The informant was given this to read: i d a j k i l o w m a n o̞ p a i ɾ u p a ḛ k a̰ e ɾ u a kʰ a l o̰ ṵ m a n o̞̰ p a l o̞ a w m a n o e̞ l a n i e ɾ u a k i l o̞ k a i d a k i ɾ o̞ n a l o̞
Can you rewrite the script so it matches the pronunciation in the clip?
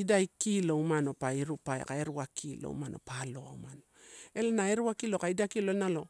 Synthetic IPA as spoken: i d a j k i l o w m a n o̞ p a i ɾ u p a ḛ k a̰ e ɾ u a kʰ i l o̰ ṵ m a n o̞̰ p a l o̞ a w m a n o e̞ l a n a e ɾ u a k i l o̞ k a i d a k i l o̞ n a l o̞